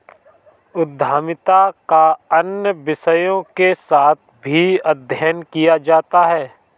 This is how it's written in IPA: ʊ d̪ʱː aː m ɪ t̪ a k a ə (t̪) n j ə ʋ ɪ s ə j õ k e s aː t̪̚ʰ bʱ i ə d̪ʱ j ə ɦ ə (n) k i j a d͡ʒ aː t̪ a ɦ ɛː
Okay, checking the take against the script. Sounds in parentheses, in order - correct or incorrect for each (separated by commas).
incorrect, correct